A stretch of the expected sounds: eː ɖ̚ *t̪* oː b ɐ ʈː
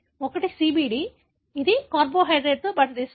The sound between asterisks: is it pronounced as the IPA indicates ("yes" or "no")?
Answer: yes